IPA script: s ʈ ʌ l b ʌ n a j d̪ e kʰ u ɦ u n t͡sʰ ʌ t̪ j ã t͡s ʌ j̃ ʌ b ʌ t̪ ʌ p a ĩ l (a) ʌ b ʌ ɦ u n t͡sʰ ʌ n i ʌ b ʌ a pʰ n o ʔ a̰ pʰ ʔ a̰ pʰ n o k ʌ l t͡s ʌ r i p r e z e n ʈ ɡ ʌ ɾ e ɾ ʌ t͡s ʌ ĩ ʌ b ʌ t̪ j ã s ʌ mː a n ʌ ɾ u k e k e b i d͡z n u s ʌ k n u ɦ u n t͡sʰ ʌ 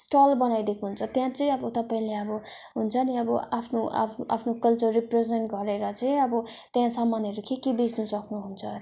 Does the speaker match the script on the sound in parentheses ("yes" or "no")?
no